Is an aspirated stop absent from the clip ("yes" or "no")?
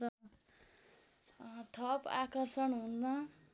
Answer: no